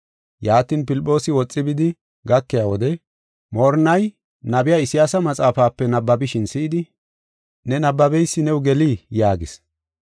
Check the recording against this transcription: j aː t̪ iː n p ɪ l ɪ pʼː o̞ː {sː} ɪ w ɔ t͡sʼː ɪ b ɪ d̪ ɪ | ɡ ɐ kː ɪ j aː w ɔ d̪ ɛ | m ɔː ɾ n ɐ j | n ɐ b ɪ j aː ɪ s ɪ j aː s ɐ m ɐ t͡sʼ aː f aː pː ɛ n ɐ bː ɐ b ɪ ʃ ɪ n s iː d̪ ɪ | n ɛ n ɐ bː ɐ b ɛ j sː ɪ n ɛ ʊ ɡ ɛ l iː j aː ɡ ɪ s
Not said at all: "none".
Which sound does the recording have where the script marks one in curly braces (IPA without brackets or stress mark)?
s